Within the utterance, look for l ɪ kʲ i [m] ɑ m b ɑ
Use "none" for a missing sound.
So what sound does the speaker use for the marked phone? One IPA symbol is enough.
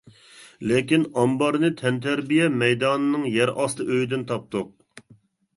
n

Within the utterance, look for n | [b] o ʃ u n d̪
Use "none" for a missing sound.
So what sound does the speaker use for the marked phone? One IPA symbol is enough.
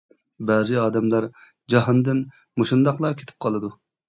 m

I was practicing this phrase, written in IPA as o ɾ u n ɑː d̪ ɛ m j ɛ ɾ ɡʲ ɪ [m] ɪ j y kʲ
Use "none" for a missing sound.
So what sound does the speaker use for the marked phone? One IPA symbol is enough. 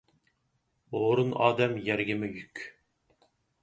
m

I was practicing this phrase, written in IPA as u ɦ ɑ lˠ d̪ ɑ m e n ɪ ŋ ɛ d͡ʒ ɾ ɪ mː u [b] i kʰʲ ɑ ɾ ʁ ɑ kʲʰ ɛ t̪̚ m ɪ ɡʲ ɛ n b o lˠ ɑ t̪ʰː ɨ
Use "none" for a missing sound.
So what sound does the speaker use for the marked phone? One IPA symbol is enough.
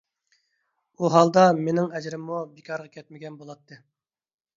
b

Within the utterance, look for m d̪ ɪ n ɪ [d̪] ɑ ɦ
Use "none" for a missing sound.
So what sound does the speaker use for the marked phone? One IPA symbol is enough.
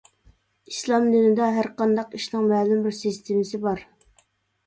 d̪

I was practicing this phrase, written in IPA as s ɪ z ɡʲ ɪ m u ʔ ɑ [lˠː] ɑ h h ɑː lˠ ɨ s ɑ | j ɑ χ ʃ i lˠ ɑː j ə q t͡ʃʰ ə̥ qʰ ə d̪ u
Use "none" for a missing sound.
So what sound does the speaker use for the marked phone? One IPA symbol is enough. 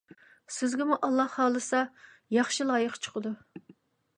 lˠː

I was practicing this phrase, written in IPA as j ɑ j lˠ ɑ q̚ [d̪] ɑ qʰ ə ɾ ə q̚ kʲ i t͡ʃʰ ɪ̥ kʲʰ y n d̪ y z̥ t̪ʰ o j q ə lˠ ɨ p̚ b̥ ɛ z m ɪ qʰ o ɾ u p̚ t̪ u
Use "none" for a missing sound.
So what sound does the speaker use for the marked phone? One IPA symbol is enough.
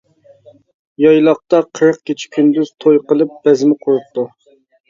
t̪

